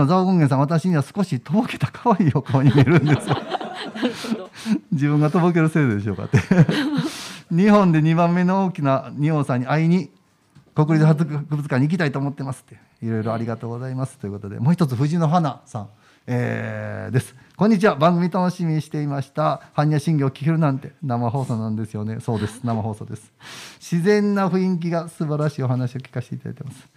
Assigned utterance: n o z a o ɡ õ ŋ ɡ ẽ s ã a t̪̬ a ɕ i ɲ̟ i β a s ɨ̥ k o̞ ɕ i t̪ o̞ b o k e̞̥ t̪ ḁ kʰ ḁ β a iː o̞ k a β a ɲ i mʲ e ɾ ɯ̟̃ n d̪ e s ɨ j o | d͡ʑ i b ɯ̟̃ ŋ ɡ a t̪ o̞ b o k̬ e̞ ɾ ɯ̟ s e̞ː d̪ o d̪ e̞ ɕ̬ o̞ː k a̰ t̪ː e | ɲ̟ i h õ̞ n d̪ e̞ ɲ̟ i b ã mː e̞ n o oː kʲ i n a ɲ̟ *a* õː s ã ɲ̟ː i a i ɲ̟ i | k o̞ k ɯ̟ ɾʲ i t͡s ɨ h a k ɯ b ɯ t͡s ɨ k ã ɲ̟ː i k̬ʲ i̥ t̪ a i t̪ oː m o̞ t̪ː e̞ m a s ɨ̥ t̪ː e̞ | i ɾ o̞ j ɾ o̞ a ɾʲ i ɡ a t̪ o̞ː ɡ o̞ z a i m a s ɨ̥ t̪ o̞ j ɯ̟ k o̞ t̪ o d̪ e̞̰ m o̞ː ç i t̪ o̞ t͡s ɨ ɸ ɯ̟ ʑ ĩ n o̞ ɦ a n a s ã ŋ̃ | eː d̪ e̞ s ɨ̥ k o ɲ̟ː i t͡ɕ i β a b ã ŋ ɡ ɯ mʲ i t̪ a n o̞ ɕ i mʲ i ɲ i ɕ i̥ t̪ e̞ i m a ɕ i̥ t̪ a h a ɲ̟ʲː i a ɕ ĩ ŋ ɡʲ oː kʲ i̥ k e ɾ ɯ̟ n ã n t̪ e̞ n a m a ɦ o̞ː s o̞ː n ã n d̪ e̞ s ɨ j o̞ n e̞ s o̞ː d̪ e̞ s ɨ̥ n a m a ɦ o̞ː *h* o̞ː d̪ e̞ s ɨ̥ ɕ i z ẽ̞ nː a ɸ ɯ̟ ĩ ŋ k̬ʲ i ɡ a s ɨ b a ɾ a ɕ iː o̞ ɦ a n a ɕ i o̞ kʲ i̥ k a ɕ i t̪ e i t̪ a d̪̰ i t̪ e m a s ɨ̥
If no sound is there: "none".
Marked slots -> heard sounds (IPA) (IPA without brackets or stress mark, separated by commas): i, s